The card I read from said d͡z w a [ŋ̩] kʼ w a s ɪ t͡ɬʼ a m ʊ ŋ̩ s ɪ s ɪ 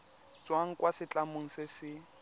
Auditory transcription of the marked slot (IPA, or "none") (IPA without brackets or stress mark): ŋ̩